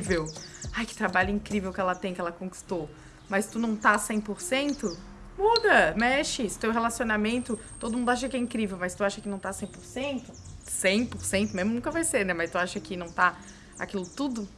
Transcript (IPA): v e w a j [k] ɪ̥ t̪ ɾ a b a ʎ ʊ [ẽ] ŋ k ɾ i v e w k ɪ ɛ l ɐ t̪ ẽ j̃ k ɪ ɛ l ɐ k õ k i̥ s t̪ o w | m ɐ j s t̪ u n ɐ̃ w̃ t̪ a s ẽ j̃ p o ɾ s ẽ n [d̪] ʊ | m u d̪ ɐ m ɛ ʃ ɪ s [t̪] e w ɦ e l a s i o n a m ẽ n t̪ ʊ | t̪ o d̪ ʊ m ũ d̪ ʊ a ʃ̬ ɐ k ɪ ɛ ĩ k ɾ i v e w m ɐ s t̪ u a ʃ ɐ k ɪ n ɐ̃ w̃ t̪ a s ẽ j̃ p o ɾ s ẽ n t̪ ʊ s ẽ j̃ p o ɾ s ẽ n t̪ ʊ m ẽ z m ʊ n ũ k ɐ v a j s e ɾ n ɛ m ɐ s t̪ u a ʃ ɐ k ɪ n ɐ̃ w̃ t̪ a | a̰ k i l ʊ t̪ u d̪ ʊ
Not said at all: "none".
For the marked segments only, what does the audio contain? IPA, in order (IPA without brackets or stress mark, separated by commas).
k, ĩ, t̪, t̪